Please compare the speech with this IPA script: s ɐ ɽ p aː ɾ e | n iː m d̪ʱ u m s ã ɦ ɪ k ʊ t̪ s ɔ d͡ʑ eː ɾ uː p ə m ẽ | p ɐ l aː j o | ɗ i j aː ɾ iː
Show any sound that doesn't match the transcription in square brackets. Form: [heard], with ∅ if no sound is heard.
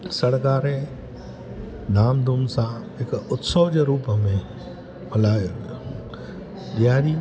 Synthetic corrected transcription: s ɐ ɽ [k] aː ɾ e | n [aː] m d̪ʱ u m s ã ɦ ɪ k ʊ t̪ s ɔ d͡ʑ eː ɾ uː p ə m ẽ | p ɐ l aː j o | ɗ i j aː ɾ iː